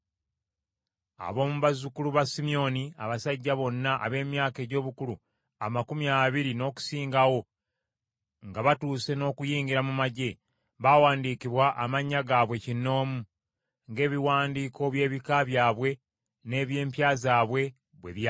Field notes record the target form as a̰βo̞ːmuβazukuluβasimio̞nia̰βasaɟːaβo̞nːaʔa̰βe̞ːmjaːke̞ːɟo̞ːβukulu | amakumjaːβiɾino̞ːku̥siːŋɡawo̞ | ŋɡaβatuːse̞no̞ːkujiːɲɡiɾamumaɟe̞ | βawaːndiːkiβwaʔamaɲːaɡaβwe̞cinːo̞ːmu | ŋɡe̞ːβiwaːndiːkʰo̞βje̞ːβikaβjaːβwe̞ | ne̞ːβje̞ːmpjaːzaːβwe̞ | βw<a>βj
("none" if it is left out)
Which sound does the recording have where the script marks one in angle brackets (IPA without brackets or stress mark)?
e